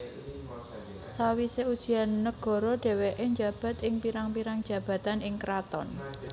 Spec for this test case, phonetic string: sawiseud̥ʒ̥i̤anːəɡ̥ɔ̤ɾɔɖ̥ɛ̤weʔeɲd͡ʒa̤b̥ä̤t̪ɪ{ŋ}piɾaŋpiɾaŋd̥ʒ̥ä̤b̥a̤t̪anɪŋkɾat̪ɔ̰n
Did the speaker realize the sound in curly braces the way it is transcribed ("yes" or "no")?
yes